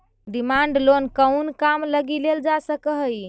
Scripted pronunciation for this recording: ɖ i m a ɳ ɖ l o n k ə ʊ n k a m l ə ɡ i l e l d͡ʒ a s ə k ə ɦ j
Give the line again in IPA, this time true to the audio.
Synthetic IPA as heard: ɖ i m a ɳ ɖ l o n k ə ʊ n k a m l ə ɡ i l e l d͡ʒ a s ə k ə ɦ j